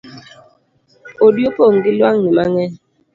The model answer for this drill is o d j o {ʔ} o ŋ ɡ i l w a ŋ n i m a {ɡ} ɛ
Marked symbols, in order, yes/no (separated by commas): no, no